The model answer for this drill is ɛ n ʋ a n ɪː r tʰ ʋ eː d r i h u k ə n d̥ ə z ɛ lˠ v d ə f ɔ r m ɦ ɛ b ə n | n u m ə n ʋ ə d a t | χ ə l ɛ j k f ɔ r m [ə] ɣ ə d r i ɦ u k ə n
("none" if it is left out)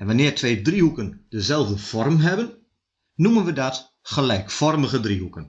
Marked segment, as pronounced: ə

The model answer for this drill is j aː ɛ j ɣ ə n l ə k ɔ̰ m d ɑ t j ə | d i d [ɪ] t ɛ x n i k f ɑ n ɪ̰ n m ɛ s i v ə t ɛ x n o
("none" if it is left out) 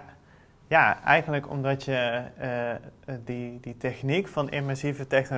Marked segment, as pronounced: i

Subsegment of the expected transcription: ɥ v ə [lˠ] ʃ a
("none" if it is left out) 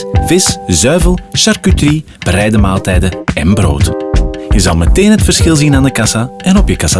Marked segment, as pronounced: lˠ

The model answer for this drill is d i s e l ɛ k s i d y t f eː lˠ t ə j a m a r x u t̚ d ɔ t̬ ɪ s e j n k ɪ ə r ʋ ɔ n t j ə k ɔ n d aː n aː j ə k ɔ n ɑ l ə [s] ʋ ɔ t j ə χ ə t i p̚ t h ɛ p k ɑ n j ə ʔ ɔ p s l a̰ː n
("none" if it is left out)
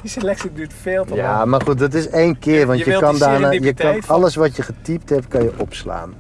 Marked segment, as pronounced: s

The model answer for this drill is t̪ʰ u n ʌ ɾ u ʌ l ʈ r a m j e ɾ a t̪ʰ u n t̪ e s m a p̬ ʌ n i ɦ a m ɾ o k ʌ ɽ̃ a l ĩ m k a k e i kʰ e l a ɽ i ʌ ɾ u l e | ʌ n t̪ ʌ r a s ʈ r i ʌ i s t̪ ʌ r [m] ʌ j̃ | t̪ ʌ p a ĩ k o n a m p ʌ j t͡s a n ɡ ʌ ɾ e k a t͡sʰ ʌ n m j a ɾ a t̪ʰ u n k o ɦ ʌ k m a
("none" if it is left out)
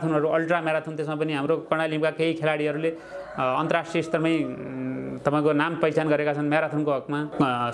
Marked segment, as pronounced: m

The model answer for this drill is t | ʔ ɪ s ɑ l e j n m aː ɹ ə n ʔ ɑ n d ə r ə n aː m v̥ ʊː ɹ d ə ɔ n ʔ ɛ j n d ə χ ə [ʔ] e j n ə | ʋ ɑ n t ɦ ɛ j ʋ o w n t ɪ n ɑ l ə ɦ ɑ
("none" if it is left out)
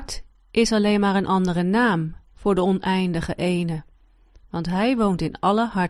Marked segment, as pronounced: ʔ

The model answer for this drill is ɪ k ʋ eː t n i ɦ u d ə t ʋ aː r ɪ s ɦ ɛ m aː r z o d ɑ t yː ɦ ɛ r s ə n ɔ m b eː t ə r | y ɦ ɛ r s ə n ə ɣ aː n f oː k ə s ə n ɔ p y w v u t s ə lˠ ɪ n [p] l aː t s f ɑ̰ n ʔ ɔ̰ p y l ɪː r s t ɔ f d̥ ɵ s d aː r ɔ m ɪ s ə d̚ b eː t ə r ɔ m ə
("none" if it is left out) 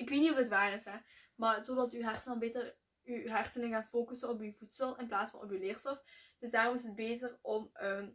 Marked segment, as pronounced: p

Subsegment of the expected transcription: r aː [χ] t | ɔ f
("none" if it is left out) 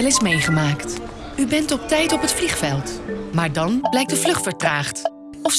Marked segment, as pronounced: χ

